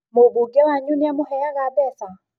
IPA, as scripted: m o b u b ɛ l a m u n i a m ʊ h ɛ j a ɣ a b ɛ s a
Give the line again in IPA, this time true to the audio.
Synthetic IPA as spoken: m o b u ɡ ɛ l a ɲ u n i a m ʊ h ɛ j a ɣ a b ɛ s a